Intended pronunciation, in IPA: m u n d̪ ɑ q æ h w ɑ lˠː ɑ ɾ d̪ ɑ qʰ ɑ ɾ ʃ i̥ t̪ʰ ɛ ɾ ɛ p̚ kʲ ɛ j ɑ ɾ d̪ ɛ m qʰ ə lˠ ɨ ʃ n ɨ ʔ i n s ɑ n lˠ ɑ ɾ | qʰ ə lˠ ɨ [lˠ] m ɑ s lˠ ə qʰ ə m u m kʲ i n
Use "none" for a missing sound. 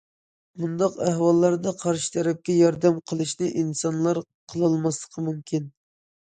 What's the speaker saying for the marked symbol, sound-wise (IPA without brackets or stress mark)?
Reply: lˠ